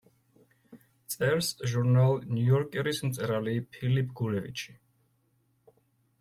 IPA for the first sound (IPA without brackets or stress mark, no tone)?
t̪